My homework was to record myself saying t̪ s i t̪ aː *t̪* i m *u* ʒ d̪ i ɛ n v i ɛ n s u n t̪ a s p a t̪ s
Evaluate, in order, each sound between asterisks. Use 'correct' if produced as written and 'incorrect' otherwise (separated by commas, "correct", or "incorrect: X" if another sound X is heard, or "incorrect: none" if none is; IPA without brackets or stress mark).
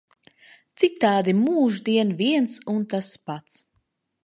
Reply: incorrect: d̪, incorrect: uː